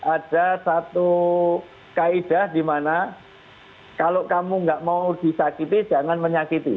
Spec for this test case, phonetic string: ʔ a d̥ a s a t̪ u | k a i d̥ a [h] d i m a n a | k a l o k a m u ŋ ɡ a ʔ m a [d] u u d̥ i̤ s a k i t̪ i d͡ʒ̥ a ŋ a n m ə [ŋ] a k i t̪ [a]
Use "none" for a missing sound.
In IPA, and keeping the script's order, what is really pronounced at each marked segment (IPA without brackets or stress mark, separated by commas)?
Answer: h, none, ɲ, i